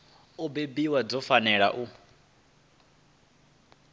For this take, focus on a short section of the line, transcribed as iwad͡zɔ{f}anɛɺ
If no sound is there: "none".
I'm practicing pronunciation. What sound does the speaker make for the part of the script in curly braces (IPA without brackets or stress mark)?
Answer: f